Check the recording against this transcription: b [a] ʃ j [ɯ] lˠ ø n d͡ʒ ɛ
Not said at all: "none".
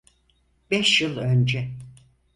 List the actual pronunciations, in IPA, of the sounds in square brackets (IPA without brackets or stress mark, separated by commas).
ɛ, ɯ